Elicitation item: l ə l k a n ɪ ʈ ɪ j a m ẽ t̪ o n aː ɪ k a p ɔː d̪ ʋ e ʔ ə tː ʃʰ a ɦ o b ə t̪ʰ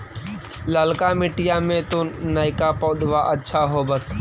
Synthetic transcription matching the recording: l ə l k a m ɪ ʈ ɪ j a m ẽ t̪ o n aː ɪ k a p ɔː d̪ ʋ a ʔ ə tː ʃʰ a ɦ o b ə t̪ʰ